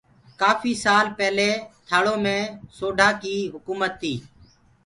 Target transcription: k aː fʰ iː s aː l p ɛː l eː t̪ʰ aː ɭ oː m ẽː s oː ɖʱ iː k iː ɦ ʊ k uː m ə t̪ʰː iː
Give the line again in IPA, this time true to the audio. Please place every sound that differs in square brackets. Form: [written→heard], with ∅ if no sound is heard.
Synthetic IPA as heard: k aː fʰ iː s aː l p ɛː l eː t̪ʰ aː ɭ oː m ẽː s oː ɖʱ [iː→aː] k iː ɦ ʊ k uː m ə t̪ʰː iː